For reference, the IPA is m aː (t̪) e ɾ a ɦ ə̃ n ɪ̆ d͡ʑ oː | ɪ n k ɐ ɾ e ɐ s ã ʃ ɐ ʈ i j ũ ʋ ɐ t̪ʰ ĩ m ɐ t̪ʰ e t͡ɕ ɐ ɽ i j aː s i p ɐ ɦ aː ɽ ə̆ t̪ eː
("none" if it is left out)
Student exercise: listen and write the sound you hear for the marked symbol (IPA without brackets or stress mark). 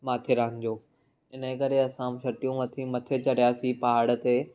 t̪ʰ